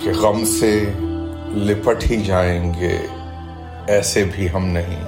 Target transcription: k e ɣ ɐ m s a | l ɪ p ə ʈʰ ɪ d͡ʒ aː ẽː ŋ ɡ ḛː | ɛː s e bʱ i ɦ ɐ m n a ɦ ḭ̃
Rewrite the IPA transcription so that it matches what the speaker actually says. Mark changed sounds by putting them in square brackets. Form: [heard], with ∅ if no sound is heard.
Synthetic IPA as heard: k e ɣ ɐ m s [e] | l ɪ p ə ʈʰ [i] d͡ʒ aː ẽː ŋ ɡ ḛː | ɛː s e bʱ i ɦ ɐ m n [ɐ] ɦ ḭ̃